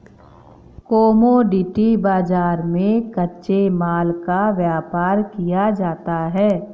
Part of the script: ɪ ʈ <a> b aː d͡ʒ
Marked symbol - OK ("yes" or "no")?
no